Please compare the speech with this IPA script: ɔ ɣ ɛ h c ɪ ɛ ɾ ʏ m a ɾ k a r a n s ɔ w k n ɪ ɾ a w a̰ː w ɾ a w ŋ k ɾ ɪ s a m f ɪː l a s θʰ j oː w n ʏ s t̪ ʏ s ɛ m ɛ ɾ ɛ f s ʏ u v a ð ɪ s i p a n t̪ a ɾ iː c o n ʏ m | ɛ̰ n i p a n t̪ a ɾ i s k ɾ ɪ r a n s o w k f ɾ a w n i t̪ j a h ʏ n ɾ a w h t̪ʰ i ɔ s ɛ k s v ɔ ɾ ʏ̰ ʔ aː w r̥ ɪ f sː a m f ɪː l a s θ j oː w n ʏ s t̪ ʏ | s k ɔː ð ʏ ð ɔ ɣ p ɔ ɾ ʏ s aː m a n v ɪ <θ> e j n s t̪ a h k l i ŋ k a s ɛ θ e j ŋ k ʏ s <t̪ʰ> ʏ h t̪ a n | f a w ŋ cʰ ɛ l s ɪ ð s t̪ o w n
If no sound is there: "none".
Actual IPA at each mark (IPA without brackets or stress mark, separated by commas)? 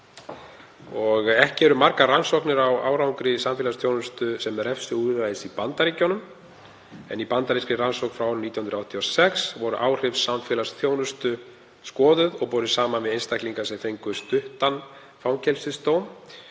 ð, t̪